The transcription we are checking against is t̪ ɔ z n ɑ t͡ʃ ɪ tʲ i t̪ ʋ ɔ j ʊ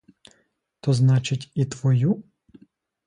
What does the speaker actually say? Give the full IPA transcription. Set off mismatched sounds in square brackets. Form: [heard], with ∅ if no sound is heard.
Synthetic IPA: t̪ ɔ z n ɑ t͡ʃ ɪ tʲ i t̪ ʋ ɔ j [u]